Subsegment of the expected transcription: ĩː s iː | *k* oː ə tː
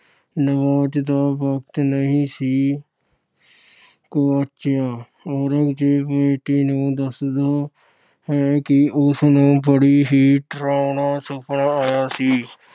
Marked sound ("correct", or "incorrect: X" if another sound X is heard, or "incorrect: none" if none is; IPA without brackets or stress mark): correct